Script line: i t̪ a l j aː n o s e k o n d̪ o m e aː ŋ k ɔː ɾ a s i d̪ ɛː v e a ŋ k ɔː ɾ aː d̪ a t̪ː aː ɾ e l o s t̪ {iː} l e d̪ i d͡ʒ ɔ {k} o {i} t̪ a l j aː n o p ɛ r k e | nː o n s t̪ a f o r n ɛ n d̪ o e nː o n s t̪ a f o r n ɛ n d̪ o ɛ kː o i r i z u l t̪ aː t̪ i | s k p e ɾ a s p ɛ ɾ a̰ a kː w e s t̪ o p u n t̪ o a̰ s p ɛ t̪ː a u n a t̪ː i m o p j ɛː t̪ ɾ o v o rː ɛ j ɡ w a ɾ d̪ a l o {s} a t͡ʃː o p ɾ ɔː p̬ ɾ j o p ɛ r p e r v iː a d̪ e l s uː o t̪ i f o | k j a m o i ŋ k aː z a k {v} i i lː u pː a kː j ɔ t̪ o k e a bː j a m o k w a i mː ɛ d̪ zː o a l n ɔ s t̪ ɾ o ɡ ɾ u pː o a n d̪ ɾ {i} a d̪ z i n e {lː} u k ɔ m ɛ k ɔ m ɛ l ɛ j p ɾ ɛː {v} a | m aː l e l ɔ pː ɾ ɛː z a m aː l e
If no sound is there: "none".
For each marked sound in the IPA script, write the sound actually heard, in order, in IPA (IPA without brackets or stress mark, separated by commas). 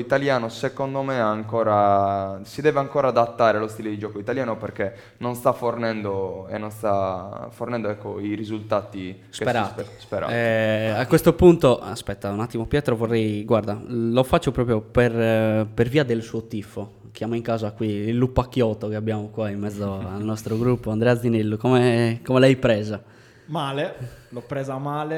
i, k, i, f, w, ɛ, lː, z